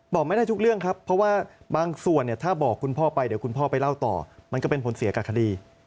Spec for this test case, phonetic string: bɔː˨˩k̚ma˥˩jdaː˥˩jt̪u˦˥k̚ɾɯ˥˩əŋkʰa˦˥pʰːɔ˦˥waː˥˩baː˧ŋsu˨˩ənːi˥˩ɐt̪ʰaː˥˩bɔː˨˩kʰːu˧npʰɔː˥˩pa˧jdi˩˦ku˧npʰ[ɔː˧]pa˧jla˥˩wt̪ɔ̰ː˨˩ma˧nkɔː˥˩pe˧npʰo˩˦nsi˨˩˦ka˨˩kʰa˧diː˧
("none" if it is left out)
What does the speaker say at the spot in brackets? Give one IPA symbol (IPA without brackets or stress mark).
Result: ɔː˥˩